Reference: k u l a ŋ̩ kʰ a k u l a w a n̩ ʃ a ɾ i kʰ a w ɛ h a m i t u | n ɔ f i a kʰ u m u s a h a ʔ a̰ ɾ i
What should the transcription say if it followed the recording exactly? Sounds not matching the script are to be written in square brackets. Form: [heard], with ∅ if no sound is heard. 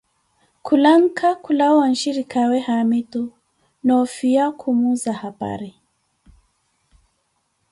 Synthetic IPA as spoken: k u l a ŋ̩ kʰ a k u l a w a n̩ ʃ [i] ɾ i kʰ a w ɛ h a m i t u | n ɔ f i a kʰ u m u [z] a h a [p] a̰ ɾ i